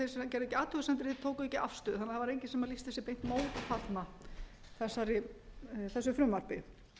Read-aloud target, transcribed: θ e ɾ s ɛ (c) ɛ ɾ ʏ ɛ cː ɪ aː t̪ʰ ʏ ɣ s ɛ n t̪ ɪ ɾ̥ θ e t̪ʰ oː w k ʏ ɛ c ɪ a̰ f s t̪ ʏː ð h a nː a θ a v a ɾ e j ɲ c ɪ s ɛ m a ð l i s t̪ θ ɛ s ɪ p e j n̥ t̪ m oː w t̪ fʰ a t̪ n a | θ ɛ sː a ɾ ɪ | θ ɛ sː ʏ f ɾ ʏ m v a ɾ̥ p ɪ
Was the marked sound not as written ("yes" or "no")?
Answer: no